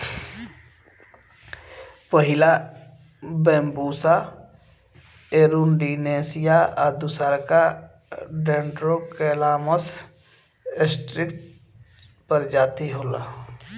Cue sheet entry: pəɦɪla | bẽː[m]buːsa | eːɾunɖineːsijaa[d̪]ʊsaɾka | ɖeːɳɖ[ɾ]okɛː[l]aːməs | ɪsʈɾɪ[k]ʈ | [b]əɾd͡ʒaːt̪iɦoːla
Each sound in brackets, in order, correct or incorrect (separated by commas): correct, correct, correct, correct, correct, incorrect